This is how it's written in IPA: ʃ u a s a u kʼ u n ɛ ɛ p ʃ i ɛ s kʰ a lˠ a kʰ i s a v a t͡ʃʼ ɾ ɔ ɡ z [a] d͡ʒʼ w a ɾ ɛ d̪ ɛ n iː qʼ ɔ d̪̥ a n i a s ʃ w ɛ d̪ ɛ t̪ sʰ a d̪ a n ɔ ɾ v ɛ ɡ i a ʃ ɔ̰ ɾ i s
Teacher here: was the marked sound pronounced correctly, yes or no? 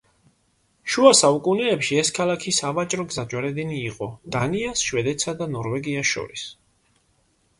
yes